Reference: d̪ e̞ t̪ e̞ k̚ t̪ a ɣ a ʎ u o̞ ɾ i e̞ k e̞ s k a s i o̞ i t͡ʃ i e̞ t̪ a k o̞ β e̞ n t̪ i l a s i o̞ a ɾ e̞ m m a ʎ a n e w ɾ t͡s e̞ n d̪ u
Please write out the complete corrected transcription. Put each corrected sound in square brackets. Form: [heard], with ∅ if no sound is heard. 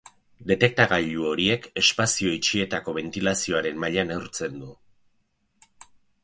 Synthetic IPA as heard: d̪ e̞ t̪ e̞ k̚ t̪ a ɣ a ʎ u o̞ ɾ i e̞ k e̞ s [p] a s i o̞ i t͡ʃ i e̞ t̪ a k o̞ β e̞ n t̪ i l a s i o̞ a ɾ e̞ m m a ʎ a n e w ɾ t͡s e̞ n d̪ u